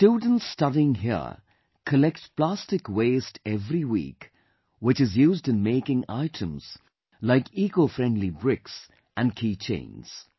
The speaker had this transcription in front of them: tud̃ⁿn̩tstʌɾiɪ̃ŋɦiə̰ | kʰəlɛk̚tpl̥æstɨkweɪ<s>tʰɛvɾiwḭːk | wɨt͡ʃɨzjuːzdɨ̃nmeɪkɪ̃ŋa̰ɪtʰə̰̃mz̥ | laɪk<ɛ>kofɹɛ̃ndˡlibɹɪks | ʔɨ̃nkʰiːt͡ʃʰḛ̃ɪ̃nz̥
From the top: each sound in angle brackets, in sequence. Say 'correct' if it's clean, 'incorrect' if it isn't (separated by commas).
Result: correct, incorrect